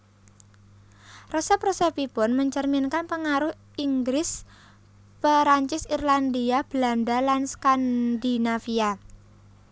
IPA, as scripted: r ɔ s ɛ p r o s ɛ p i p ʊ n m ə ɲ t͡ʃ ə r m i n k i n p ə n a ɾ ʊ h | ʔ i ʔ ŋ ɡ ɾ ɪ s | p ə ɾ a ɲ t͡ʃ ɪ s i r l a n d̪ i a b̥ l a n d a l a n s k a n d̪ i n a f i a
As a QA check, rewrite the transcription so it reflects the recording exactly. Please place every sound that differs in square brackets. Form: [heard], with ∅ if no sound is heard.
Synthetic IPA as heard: r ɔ s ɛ p r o s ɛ p i p ʊ n m ə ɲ t͡ʃ ə r m i n k [a] n p ə [ŋ] a ɾ ʊ h | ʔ i [∅] ŋ ɡ ɾ ɪ s | p ə ɾ a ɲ t͡ʃ ɪ s i r l a n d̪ i a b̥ l a n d a l a n s k a n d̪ i n a f i a